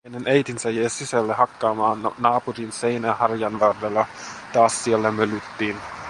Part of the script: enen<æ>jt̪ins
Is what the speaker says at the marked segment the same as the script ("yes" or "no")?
no